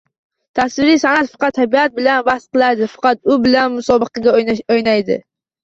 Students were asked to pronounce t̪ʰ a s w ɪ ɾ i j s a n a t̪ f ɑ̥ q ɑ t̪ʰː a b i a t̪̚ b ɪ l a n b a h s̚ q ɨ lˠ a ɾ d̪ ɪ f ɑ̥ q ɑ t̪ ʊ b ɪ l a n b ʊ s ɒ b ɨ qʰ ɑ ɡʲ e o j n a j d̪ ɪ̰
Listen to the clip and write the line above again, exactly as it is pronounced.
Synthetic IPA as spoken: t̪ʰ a s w ɪ ɾ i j s a n a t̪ f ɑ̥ q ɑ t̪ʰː a b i a t̪̚ b ɪ l a n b a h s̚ q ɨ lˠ a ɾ d̪ ɪ f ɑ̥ q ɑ t̪ ʊ b ɪ l a n m ʊ s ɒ b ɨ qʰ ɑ ɡʲ a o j n a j d̪ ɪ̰